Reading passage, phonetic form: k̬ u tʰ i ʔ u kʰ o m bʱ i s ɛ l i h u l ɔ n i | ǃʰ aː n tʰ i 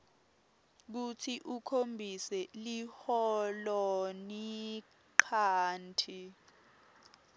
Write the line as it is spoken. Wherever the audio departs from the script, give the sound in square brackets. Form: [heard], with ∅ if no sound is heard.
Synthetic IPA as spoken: k̬ u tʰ i ʔ u kʰ o m bʱ i s ɛ l i h [ɔ] l ɔ n i | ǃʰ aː n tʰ i